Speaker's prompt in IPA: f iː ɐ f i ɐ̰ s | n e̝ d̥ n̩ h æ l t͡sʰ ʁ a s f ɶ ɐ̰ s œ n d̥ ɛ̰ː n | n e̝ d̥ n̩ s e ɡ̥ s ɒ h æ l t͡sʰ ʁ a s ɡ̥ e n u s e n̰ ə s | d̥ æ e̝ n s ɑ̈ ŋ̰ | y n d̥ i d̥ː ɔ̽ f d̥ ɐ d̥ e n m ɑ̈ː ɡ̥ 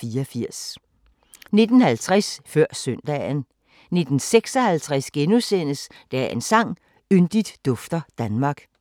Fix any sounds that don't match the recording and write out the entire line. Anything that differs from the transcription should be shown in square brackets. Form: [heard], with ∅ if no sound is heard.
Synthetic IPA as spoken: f iː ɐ f i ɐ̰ s | n e̝ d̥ n̩ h æ l t͡sʰ ʁ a s f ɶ ɐ̰ s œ n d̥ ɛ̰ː n | n e̝ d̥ n̩ s e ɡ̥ s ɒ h æ l t͡sʰ ʁ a s ɡ̥ e n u s e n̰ ə s | d̥ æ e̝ n s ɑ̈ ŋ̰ | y n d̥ i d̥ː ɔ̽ f d̥ ɐ d̥ [æ] n m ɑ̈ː ɡ̥